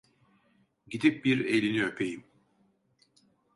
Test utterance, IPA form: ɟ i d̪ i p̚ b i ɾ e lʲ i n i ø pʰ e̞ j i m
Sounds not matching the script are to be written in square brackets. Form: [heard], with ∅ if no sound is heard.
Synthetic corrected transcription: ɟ i d̪ i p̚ b i ɾ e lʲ i n i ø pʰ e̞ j i m